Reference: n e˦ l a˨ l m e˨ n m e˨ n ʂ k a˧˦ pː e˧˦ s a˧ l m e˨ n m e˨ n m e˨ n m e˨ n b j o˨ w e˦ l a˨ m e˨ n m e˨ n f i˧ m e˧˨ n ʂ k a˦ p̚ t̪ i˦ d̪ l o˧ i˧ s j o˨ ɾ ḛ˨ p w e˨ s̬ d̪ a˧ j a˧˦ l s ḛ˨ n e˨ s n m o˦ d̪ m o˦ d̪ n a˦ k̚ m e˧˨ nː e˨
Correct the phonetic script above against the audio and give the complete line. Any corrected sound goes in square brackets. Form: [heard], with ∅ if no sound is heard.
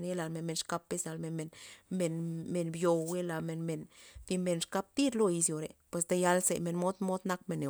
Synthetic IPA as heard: n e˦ l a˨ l m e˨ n m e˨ n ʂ k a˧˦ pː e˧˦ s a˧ l m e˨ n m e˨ n m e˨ n m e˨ n b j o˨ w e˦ l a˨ m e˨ n m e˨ n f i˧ m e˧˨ n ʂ k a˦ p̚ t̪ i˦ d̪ l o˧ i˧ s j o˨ ɾ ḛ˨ p w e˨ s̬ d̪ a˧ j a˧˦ l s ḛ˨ [m] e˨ [∅] n m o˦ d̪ m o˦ d̪ n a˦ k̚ m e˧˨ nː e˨